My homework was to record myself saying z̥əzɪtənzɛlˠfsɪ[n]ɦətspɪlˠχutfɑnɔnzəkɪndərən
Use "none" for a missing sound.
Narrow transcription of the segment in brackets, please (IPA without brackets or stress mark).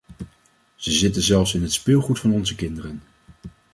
n